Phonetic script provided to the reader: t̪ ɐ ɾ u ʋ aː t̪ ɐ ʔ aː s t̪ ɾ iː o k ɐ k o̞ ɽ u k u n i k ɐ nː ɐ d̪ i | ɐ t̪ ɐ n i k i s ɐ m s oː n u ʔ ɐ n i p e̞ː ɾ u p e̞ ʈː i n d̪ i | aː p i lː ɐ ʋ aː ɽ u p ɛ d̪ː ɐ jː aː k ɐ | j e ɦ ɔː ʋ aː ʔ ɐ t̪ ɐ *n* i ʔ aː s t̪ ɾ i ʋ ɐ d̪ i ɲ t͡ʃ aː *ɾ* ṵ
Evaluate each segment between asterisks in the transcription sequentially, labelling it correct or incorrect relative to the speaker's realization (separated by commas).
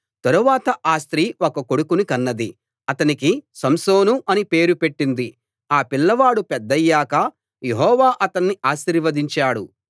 incorrect, incorrect